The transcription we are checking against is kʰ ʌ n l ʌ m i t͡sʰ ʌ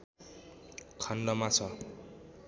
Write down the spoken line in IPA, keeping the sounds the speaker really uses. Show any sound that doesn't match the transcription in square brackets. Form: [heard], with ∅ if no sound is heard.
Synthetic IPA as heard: kʰ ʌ n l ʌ m [a] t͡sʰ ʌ